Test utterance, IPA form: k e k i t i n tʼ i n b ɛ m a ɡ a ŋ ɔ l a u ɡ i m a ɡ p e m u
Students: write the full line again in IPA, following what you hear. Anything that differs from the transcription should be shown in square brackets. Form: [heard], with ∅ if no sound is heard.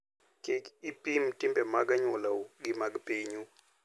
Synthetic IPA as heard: k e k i [p] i [m] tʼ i [m] b ɛ m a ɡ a [ɲ] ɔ l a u ɡ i m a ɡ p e [ɲ] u